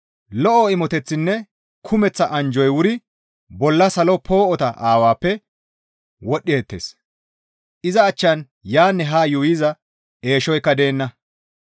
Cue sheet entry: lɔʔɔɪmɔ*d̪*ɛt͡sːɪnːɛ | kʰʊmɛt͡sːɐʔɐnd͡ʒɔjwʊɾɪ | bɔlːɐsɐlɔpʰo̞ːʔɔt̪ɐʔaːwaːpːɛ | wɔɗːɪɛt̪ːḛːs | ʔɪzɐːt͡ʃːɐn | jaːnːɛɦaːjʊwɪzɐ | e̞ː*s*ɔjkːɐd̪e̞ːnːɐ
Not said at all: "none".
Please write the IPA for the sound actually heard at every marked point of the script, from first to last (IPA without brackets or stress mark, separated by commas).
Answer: t̪, ʃ